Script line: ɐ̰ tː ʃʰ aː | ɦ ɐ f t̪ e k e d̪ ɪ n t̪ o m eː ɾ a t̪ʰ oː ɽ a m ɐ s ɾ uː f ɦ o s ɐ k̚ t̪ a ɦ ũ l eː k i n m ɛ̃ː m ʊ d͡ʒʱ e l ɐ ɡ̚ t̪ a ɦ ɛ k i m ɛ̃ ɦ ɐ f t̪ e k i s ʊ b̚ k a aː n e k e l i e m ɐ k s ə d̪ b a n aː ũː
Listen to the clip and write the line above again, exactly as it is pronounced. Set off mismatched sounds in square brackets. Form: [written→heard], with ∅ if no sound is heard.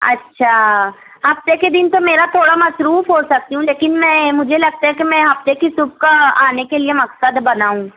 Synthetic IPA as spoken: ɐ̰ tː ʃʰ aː | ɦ ɐ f t̪ e k e d̪ ɪ n t̪ o m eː ɾ a t̪ʰ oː ɽ a m ɐ s ɾ uː f ɦ o s ɐ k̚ t̪ [a→i] ɦ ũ l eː k [i→ɪ] n m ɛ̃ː m ʊ d͡ʒʱ e l ɐ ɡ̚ t̪ a ɦ ɛ k i m ɛ̃ ɦ ɐ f t̪ e k i s ʊ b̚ k a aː n e k e l i e m ɐ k s ə d̪ b [a→ɐ] n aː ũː